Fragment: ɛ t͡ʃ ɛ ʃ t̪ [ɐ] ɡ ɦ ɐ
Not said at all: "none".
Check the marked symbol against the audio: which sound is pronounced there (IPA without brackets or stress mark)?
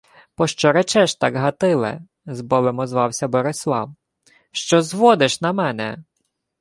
ɑ